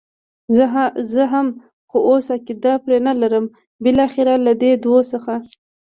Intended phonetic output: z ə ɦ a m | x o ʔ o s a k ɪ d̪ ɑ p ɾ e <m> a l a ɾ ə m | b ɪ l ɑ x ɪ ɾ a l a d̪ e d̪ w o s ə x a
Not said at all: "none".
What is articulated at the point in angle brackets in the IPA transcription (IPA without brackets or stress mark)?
n